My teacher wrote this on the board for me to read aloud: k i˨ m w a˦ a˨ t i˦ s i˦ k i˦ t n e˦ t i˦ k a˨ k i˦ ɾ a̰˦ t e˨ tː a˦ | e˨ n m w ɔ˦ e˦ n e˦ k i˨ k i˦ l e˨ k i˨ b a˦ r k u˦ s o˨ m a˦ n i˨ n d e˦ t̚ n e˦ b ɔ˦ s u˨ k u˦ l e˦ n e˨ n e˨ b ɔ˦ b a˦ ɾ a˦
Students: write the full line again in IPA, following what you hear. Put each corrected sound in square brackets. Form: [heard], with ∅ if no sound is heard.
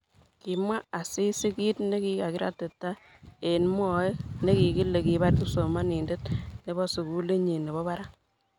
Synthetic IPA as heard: k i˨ m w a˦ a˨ [s] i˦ s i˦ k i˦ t n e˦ [k] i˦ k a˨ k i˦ ɾ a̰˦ t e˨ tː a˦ | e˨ n m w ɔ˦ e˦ n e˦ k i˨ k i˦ l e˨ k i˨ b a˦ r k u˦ s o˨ m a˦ n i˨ n d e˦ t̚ n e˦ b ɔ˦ s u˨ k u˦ l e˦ [ɲ] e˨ n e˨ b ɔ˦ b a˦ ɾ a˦